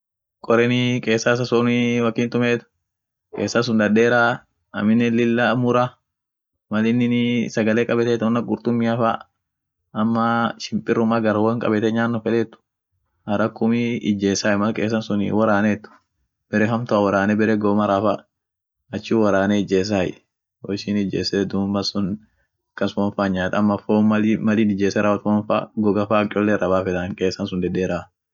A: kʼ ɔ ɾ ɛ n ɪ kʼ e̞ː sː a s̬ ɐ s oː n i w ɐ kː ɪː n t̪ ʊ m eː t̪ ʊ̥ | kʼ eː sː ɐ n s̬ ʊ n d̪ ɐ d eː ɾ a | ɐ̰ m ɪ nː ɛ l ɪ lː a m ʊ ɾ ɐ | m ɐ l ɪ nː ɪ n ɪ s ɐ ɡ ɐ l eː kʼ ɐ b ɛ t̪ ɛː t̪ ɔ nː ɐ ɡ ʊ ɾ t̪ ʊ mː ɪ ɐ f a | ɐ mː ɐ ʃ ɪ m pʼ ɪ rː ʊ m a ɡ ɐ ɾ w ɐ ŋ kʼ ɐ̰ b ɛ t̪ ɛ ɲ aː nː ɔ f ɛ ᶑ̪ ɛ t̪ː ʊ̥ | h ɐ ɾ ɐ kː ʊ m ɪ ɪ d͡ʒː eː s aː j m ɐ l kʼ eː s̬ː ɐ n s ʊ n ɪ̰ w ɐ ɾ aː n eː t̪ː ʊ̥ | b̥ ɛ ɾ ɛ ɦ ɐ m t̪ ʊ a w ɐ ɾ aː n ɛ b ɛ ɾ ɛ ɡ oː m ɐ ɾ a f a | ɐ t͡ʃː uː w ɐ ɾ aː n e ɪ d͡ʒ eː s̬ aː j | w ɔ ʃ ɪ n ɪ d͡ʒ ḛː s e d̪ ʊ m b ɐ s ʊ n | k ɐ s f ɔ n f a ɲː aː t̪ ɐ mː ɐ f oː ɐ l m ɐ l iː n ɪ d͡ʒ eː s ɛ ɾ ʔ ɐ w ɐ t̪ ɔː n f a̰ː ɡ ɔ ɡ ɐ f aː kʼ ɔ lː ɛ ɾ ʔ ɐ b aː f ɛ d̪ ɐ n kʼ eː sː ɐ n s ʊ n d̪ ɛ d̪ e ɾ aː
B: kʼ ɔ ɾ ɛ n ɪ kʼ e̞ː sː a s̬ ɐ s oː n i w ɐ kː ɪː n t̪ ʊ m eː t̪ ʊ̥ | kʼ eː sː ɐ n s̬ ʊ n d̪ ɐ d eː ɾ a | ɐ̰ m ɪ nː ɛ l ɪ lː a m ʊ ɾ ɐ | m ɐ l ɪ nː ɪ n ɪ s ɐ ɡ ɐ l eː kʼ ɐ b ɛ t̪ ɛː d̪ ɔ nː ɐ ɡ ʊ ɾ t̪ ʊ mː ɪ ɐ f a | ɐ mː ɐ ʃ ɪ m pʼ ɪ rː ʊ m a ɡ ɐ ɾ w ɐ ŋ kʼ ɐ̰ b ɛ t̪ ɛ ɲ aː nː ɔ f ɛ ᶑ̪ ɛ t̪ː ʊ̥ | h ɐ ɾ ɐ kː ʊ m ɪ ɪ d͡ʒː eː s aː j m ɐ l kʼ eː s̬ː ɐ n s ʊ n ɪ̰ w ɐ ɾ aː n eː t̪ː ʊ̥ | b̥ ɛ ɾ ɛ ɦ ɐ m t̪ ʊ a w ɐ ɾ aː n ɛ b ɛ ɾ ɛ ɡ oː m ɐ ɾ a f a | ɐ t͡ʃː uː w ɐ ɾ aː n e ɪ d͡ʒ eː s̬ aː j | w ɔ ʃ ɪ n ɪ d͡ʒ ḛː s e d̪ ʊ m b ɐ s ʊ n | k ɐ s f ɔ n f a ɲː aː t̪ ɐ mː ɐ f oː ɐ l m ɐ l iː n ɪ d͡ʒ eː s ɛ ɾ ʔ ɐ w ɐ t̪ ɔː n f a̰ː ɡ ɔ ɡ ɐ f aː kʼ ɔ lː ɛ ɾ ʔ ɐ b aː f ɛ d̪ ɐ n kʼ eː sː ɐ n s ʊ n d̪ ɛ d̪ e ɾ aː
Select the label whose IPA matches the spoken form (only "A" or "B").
A